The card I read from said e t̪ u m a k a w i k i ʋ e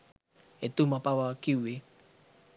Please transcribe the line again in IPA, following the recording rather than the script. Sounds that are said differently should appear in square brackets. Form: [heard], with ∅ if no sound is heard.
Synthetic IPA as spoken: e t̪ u m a [p] a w [a] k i [w] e